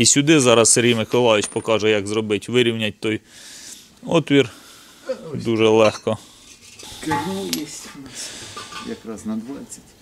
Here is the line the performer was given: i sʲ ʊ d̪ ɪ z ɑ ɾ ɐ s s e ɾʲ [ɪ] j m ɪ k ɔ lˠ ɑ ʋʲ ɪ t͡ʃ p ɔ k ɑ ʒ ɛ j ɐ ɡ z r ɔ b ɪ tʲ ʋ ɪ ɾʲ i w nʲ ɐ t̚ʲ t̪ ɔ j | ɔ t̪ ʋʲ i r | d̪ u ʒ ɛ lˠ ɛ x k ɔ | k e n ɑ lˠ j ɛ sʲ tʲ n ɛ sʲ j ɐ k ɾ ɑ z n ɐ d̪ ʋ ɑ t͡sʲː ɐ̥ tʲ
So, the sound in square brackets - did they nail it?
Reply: no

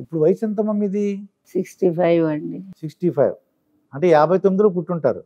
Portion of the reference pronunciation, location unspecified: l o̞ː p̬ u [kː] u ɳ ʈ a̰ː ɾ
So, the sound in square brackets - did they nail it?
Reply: no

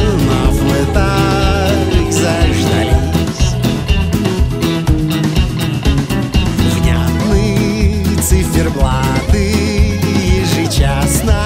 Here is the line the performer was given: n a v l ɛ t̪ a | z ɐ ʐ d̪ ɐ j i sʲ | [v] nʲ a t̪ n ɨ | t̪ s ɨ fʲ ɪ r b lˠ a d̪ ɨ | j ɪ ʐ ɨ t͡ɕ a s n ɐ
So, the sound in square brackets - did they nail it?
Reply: yes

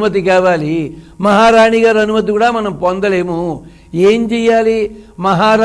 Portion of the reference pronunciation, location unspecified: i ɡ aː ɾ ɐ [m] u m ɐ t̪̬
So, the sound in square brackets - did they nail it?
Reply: no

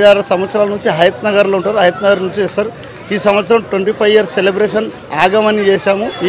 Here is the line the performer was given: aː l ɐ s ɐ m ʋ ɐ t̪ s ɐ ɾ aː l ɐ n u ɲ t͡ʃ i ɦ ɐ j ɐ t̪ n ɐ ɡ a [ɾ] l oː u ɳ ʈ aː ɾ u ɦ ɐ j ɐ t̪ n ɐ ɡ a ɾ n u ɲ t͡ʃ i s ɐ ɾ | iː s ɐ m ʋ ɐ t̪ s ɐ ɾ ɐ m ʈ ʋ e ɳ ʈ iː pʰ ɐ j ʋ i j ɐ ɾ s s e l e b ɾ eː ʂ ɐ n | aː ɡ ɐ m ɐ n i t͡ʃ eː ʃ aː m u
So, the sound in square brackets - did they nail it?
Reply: yes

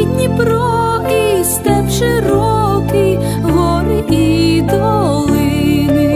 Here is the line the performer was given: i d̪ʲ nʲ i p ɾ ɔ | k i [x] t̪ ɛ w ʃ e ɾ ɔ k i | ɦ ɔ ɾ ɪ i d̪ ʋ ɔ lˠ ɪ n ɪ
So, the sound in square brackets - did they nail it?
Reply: no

